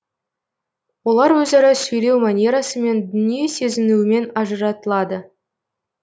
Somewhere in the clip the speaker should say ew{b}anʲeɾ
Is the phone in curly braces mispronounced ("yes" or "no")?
yes